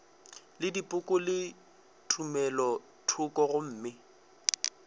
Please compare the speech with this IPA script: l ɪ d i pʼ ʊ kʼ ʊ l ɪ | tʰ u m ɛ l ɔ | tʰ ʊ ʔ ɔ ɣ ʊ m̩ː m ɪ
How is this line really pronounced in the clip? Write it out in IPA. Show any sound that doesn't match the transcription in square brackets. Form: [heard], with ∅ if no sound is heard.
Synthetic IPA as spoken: l ɪ d i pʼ ʊ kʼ ʊ l ɪ | tʰ u m ɛ l ɔ | tʰ ʊ [k] ɔ ɣ ʊ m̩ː m ɪ